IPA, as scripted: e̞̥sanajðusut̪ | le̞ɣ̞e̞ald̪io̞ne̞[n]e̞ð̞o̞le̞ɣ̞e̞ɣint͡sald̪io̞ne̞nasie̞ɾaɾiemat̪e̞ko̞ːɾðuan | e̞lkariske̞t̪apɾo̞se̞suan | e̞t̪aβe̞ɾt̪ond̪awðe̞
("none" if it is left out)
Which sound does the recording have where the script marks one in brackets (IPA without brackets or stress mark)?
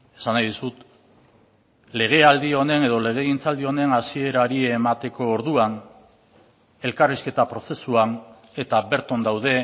n